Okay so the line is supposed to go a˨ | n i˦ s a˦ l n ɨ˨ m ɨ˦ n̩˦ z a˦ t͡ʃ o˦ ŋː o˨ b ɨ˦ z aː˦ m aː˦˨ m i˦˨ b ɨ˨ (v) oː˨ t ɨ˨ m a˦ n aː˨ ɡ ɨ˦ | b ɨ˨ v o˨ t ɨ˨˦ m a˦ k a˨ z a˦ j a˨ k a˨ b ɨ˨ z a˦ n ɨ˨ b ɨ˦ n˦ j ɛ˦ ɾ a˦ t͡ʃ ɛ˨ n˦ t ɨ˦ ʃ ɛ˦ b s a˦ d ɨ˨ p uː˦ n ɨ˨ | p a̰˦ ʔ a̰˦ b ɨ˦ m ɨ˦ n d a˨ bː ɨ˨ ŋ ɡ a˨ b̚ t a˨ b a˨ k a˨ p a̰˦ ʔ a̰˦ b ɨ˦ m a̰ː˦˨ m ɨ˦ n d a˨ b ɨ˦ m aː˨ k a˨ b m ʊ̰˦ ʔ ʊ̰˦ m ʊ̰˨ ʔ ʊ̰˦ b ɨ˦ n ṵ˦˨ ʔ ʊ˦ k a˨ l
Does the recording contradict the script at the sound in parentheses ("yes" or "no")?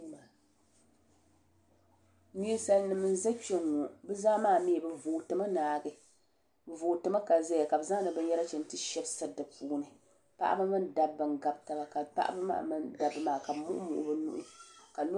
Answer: no